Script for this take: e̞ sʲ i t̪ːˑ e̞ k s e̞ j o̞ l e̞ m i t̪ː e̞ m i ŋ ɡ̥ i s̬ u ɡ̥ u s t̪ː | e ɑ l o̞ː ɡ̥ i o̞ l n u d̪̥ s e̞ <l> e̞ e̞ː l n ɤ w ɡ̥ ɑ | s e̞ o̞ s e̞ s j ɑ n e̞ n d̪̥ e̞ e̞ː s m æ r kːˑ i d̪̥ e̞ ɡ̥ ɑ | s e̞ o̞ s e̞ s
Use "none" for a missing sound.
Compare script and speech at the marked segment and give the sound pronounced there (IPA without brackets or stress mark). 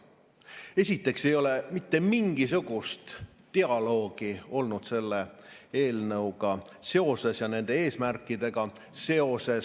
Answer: lː